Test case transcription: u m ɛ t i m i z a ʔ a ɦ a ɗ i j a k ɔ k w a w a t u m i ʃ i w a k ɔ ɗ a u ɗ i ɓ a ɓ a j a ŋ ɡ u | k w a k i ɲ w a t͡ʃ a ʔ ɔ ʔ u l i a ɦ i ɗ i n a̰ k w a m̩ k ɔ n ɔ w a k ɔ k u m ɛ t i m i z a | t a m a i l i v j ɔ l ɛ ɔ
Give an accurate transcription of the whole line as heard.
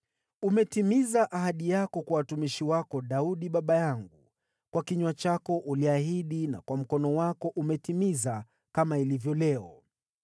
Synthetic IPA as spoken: u m ɛ t i m i z a ʔ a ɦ a ɗ i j a k ɔ k w a w a t u m i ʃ i w a k ɔ ɗ a u ɗ i ɓ a ɓ a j a ŋ ɡ u | k w a k i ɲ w a t͡ʃ a k ɔ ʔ u l i a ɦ i ɗ i n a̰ k w a m̩ k ɔ n ɔ w a k ɔ ʔ u m ɛ t i m i z a | k a m a i l i v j ɔ l ɛ ɔ